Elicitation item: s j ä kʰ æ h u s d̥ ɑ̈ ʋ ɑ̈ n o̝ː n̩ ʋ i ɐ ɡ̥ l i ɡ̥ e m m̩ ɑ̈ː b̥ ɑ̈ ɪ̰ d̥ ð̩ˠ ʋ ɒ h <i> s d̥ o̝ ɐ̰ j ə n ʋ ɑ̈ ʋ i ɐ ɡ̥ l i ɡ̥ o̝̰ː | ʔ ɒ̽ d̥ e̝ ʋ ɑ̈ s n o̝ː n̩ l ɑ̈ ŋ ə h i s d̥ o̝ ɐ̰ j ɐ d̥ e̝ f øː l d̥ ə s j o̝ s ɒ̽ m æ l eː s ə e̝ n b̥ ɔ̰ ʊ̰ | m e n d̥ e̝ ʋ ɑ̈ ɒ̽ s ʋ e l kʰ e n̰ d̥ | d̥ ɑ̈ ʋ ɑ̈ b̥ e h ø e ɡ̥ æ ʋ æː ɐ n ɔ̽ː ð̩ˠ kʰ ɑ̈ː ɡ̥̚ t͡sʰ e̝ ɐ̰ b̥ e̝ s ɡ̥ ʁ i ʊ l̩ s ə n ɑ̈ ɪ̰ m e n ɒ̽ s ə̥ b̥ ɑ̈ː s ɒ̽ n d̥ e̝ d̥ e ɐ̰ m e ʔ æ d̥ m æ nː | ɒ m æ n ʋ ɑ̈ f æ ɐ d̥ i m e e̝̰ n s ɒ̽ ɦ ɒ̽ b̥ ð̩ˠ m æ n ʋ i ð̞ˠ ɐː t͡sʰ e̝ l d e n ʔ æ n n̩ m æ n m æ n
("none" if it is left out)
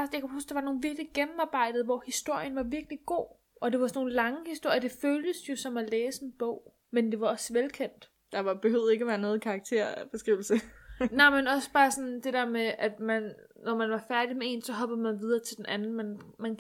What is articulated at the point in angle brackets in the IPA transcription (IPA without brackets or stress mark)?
i